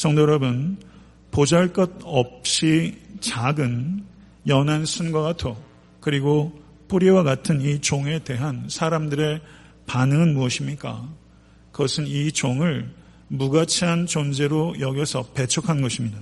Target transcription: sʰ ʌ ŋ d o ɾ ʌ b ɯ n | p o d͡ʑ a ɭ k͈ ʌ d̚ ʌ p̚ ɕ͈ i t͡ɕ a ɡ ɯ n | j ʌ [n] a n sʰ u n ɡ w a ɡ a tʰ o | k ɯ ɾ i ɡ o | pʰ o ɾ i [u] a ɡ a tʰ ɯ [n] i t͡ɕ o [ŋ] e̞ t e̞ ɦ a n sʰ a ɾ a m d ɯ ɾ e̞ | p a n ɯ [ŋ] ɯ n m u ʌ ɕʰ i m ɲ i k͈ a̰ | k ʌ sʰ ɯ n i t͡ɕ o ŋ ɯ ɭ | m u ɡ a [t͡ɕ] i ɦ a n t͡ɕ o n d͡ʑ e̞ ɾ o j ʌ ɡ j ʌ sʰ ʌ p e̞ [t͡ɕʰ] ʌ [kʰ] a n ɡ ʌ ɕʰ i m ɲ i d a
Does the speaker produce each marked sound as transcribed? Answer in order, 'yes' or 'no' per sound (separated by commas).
yes, no, yes, yes, yes, no, yes, yes